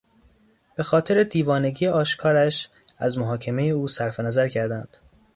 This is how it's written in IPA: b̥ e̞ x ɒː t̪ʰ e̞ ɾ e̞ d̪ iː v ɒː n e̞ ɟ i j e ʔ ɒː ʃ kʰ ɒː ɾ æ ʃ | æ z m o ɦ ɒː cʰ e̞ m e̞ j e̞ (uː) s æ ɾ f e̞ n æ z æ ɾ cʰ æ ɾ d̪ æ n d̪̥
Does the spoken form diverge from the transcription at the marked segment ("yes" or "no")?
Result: no